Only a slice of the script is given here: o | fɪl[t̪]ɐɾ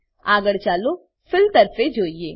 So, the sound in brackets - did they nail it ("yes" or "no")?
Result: yes